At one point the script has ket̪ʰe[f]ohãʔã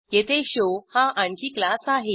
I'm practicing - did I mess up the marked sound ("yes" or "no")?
yes